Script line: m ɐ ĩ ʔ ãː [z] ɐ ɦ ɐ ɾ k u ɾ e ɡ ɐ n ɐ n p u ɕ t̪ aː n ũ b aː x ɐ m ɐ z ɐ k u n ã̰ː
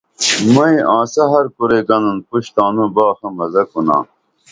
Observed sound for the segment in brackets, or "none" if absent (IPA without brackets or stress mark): s